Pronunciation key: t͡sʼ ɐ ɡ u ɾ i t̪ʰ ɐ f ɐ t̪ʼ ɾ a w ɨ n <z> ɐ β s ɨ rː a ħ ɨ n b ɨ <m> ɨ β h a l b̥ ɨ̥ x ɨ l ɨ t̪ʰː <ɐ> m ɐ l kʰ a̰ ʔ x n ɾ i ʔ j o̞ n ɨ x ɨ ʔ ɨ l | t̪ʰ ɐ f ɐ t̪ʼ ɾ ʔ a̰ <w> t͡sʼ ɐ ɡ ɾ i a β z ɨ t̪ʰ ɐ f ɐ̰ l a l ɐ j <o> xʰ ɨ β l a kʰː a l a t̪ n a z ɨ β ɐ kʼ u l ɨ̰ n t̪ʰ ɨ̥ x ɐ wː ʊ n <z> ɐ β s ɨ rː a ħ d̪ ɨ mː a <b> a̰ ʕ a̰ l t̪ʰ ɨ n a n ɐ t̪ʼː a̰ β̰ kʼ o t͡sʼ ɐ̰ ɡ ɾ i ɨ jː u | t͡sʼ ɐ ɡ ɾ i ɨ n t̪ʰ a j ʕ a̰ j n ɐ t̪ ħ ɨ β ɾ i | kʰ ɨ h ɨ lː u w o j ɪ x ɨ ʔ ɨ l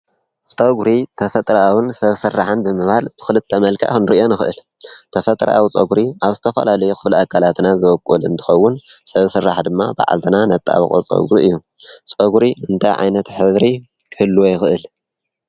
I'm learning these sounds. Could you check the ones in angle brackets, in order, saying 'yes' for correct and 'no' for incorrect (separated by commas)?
no, yes, yes, yes, no, no, yes